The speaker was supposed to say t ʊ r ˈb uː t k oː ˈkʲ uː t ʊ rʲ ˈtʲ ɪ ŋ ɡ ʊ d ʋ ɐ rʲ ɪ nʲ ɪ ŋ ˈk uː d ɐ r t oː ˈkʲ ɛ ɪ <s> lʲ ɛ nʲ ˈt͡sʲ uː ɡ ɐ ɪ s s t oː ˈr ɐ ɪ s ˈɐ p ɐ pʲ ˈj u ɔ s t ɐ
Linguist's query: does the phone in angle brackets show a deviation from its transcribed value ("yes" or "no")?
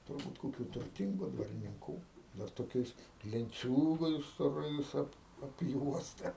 no